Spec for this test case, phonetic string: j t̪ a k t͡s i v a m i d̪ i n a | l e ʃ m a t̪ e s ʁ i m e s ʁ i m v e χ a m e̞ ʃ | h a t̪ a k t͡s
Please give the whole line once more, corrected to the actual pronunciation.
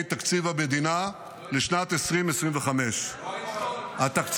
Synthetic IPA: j t̪ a k t͡s i v a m e d̪ i n a | l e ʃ n a t̪ e s ʁ i m e s ʁ i m v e χ a m e̞ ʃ | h a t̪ a k t͡s